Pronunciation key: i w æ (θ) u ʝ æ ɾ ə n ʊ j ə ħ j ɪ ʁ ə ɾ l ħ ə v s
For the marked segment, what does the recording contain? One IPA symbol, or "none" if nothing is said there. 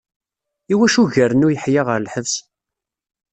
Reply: ʃ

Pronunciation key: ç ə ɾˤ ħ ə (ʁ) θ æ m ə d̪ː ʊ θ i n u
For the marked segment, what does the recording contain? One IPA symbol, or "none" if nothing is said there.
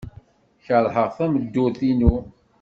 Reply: ʁ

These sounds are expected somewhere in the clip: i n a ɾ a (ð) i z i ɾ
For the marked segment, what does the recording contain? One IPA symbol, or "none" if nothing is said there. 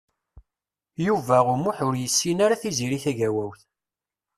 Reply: θ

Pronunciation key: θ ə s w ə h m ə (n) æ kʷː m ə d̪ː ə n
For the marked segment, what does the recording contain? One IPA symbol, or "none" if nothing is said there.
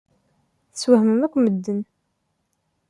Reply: m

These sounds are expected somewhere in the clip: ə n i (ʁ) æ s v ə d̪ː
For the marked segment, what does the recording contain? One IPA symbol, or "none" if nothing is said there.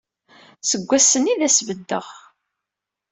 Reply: ð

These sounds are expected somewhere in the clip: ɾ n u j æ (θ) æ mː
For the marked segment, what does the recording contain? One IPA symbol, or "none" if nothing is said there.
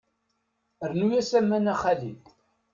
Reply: s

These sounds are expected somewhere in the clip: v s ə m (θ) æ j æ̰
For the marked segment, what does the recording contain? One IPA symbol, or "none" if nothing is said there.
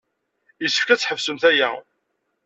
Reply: θ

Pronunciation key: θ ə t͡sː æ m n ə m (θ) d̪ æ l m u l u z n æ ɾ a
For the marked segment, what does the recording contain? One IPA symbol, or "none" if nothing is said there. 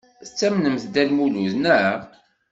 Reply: θ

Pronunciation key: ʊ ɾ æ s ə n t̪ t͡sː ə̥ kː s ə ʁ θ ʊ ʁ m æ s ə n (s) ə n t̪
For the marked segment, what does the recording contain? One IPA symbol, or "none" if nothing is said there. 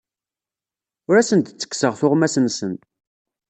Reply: s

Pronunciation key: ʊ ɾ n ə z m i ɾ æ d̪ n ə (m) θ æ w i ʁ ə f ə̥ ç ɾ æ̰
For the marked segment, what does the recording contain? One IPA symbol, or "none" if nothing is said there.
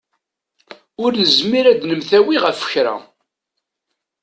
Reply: m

